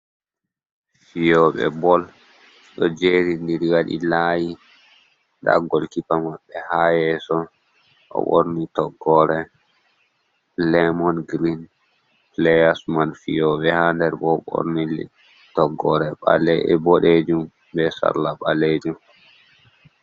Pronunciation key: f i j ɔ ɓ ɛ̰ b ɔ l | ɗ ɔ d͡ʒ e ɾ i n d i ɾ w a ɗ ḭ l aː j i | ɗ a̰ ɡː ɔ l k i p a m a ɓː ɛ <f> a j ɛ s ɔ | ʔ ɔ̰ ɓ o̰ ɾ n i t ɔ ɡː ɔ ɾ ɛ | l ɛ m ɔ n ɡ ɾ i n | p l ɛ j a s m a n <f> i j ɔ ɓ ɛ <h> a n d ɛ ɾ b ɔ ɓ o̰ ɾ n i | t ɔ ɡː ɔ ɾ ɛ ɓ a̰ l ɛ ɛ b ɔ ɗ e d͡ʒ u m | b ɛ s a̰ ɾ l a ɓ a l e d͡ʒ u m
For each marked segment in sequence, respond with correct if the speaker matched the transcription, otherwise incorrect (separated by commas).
incorrect, correct, correct